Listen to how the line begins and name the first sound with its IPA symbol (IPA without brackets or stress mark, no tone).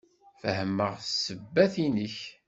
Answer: f